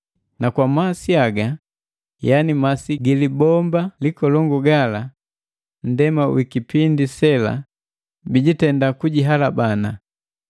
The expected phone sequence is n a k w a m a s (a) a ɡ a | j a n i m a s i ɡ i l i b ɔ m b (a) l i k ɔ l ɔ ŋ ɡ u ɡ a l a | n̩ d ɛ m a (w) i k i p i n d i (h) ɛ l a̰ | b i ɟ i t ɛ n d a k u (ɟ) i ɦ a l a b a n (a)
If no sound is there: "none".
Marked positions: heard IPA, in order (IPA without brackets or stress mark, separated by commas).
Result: i, a, w, s, ɟ, a